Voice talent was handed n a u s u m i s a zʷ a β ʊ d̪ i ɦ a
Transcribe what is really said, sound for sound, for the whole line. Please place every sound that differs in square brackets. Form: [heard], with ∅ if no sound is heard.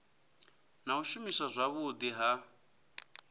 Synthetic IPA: n a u [ʃ] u m i s a zʷ a β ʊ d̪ i ɦ a